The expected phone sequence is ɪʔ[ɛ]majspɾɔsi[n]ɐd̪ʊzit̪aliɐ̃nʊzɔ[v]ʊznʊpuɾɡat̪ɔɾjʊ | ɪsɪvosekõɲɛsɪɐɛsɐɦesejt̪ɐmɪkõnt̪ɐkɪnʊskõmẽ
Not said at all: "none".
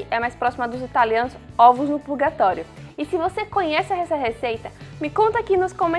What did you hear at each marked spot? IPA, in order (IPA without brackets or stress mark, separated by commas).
ɛ, m, v